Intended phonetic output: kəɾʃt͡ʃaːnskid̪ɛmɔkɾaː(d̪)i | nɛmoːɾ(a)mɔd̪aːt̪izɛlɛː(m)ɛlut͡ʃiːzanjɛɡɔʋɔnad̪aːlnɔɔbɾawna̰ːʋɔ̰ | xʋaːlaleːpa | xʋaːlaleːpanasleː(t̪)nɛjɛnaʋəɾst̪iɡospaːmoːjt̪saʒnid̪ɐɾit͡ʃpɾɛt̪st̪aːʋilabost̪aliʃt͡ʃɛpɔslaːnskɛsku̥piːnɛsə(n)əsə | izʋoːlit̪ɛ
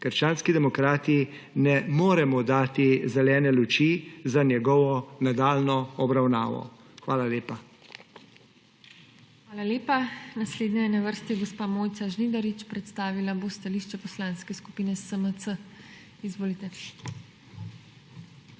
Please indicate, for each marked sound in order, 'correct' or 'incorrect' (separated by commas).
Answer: incorrect, incorrect, incorrect, incorrect, incorrect